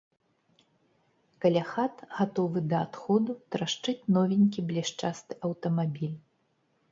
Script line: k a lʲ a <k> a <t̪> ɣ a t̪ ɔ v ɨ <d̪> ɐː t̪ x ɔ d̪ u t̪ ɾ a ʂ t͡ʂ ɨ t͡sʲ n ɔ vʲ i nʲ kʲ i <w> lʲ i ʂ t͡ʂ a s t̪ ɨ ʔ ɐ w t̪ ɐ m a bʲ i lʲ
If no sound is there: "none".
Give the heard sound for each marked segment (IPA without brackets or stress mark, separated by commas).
x, t̪, d̪, b